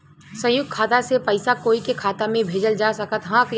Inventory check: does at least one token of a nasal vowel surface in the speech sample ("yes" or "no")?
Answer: yes